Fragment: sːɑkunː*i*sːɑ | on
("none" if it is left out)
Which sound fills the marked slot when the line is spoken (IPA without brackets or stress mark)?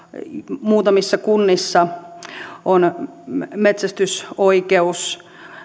i